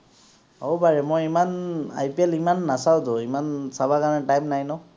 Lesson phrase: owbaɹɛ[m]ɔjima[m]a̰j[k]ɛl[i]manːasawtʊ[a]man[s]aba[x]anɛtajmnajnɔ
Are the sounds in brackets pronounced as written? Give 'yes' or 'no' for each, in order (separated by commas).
yes, no, no, yes, no, yes, no